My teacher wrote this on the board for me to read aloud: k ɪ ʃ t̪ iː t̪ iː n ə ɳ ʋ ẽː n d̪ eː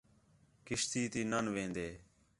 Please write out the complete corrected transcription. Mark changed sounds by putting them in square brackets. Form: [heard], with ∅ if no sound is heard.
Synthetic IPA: k ɪ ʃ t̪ iː t̪ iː n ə [n] ʋ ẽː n d̪ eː